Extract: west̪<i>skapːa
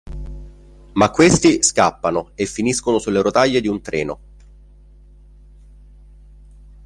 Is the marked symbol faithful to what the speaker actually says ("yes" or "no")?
yes